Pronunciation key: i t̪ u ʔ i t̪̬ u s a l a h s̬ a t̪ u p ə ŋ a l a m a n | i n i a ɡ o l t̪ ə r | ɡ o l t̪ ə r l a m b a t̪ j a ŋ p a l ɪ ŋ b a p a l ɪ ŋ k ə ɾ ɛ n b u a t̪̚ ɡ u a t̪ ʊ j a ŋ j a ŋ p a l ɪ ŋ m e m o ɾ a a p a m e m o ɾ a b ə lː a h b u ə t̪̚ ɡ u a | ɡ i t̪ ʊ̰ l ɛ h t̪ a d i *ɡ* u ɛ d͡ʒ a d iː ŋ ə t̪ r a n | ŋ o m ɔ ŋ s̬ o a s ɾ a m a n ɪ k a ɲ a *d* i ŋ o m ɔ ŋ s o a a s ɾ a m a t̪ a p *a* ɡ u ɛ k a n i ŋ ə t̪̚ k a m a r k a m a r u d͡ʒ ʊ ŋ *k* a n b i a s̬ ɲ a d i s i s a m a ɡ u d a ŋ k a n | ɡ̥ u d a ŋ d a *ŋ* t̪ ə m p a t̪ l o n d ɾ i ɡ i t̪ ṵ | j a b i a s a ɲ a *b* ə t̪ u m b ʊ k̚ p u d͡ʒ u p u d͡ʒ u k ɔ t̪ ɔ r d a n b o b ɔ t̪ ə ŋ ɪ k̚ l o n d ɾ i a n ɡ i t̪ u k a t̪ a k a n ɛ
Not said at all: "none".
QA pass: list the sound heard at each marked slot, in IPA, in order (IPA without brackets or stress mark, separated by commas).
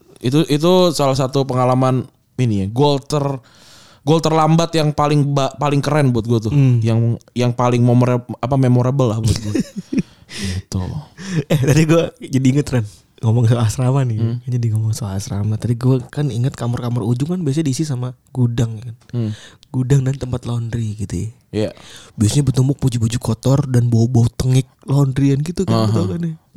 ɡ, d, i, k, n, b